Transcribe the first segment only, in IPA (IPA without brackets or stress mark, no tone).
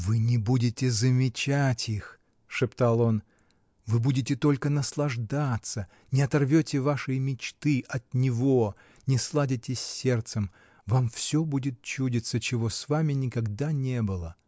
v